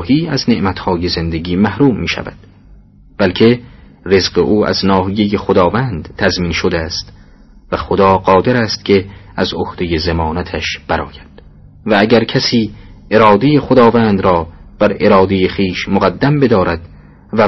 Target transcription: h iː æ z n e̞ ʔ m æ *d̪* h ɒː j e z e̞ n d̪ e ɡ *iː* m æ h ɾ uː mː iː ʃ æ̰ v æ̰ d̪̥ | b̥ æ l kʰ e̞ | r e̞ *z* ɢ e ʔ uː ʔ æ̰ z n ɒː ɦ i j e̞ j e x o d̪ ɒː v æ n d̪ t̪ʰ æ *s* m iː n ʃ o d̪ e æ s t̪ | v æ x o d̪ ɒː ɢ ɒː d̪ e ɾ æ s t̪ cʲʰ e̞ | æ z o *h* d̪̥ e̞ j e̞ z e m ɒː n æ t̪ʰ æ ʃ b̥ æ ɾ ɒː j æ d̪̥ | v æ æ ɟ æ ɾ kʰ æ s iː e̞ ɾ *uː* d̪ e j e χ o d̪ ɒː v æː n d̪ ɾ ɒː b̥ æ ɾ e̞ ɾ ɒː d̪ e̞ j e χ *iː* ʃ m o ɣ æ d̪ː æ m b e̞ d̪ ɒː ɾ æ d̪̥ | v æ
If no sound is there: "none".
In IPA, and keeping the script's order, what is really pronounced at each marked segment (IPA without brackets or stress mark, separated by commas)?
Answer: t̪, iː, z, z, h, ɒː, iː